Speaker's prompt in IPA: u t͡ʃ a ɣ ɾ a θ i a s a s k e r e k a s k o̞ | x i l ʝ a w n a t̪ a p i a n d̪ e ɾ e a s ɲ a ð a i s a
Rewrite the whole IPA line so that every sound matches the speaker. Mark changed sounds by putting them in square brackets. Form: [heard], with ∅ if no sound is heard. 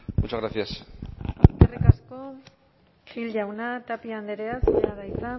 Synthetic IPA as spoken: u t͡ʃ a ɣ ɾ a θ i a s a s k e r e k a s k o̞ | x i l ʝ a w n a t̪ a p i a n d̪ e ɾ e a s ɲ a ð a [j] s a